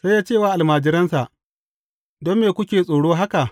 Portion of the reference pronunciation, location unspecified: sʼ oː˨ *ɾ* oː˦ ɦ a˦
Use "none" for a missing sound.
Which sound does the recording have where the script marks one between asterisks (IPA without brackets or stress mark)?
ɽ